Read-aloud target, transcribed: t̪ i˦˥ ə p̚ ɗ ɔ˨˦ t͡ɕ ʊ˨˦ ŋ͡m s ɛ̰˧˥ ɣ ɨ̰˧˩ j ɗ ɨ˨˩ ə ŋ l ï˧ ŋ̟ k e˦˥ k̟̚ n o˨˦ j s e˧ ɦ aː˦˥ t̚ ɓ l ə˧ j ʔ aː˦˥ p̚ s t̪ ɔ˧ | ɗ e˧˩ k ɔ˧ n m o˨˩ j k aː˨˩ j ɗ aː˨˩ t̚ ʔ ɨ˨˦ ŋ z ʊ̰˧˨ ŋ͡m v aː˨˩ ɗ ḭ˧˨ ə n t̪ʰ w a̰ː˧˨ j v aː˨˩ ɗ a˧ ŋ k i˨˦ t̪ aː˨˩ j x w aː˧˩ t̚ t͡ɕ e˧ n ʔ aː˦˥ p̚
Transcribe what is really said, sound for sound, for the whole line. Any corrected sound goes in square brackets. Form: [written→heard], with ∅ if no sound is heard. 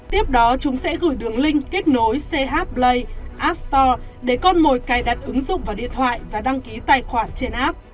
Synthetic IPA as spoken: t̪ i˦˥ ə p̚ ɗ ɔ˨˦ t͡ɕ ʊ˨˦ ŋ͡m s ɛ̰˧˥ ɣ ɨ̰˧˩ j ɗ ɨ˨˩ ə ŋ l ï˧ ŋ̟ k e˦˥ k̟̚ n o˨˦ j s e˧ ɦ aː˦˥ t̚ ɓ l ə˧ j ʔ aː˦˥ p̚ s t̪ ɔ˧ | ɗ e˧˩ k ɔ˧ n m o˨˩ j k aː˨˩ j ɗ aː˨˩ t̚ ʔ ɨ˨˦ ŋ z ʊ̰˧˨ ŋ͡m v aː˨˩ ɗ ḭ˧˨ ə n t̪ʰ w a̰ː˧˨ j v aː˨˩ ɗ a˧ ŋ k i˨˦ t̪ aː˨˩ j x w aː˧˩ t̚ t͡ɕ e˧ n ʔ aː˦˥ p̚